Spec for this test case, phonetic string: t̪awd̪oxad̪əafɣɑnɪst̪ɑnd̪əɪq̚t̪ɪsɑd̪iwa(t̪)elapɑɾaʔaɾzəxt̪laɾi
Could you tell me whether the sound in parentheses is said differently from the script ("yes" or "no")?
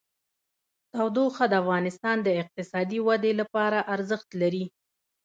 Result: yes